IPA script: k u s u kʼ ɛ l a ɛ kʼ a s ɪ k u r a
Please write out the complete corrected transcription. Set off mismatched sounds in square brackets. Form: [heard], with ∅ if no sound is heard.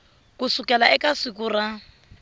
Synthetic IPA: k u s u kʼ ɛ l a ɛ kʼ a s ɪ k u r a